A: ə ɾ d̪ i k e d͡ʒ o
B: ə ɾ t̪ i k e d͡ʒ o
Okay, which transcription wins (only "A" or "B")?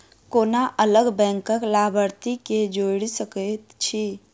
B